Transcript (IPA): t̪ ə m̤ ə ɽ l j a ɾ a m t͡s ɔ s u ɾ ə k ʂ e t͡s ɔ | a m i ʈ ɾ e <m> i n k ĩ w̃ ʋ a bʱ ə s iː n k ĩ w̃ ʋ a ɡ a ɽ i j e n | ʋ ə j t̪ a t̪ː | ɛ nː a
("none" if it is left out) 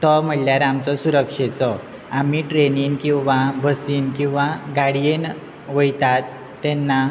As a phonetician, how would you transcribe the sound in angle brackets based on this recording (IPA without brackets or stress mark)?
n